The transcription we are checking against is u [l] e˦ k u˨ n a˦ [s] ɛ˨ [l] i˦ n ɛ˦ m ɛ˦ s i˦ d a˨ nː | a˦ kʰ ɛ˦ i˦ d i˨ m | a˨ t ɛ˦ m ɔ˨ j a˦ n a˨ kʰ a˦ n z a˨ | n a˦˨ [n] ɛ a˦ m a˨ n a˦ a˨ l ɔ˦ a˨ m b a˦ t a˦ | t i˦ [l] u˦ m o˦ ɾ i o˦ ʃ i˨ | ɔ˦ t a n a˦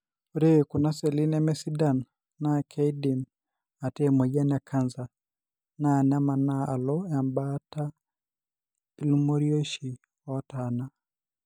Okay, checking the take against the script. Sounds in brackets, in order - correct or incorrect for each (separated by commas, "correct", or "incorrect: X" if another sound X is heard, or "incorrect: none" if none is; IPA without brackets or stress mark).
incorrect: ɾ, correct, correct, correct, correct